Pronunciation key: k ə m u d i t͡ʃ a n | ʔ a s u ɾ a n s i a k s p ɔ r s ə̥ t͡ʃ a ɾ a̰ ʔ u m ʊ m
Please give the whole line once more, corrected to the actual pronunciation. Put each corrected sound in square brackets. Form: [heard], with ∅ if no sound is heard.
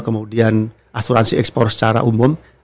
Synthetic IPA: k ə m u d i [∅] a n | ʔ a s u ɾ a n s i [ɛ] k s p ɔ r s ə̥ t͡ʃ a ɾ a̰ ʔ u m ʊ m